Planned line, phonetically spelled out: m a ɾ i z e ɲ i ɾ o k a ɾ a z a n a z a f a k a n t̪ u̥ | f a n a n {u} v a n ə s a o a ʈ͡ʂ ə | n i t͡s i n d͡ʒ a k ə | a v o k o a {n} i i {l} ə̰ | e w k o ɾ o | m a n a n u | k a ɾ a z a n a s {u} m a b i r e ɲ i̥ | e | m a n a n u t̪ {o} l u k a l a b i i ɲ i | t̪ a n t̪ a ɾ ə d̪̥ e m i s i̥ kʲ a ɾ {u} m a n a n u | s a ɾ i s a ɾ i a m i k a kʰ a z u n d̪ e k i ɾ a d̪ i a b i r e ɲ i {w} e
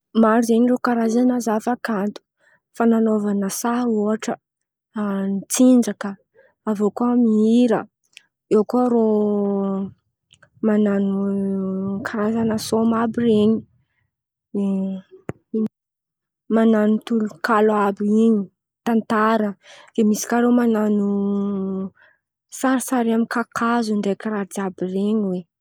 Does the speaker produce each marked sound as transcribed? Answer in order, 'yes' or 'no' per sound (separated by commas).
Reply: no, no, no, no, no, no, yes